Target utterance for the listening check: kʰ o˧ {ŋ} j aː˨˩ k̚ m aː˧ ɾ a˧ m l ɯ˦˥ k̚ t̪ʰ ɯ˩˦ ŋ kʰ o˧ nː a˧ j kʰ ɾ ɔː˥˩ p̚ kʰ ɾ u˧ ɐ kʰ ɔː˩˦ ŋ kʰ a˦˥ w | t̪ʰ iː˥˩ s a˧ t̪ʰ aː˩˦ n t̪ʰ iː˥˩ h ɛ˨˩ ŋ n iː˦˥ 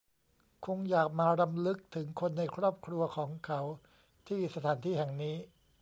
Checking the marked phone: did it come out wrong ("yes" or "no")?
no